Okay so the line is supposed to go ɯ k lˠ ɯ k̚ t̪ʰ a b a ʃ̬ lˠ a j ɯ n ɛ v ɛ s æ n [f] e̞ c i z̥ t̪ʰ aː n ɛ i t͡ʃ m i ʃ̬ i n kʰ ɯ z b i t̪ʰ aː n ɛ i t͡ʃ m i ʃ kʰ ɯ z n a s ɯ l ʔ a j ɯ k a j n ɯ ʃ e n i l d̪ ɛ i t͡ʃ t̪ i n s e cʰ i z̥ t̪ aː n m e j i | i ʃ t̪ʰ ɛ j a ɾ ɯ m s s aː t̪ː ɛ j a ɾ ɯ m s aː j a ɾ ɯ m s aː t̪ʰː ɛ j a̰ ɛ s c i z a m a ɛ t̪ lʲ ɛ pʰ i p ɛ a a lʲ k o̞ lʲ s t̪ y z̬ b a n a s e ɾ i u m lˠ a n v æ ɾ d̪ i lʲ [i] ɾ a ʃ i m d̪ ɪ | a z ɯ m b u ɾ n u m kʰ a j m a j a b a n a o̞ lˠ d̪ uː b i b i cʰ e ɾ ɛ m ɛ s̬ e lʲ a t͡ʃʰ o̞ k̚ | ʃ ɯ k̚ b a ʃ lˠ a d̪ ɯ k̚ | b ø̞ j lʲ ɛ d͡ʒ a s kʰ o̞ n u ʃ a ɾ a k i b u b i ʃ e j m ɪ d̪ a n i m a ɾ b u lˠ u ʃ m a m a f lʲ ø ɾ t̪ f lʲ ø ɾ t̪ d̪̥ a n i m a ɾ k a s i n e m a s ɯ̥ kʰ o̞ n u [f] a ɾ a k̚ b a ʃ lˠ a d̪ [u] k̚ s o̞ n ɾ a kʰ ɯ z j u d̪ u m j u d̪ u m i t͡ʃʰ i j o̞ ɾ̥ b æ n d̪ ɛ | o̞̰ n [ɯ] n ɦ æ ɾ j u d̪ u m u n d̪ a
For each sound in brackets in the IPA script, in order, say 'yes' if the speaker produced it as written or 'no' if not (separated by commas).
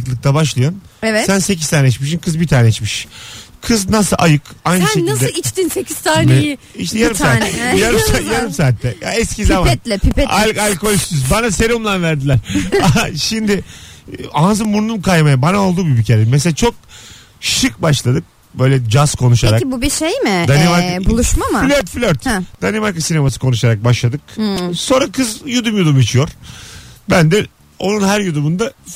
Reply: no, no, no, no, no